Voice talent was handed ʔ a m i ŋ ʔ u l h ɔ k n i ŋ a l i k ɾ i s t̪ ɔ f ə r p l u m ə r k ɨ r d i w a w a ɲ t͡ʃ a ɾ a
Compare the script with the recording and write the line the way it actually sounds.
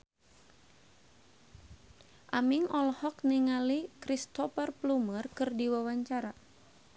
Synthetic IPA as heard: ʔ a m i ŋ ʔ ɔ l h ɔ k n i ŋ a l i k ɾ i s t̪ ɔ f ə r p l u m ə r k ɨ r d i w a w a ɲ t͡ʃ a ɾ a